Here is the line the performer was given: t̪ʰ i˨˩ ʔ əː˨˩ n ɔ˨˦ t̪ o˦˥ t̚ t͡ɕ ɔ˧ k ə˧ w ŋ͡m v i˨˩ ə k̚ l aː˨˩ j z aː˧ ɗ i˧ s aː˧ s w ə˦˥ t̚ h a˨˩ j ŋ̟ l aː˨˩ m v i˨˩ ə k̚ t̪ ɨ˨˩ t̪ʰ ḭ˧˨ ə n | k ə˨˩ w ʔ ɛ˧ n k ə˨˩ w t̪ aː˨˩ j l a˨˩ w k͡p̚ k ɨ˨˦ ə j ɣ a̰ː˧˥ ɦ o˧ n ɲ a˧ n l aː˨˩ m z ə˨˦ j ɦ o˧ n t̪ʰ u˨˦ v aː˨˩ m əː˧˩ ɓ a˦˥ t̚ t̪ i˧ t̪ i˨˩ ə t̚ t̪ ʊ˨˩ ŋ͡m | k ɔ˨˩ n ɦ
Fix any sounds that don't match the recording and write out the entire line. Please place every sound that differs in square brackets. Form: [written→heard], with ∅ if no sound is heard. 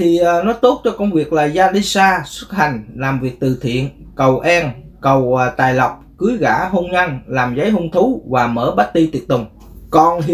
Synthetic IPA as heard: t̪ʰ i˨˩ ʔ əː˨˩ n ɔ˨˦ t̪ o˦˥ t̚ t͡ɕ ɔ˧ k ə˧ w ŋ͡m v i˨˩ ə k̚ l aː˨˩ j z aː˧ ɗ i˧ s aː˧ s w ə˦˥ t̚ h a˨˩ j ŋ̟ l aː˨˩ m v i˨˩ ə k̚ t̪ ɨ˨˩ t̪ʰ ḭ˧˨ ə n | k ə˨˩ w ʔ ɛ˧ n k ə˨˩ w t̪ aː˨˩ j l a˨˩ w k͡p̚ k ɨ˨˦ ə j ɣ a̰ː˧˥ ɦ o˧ n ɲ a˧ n l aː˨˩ m z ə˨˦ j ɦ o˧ n t̪ʰ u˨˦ v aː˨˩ m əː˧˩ ɓ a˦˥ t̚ t̪ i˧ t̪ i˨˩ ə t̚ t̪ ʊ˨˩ ŋ͡m | k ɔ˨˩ n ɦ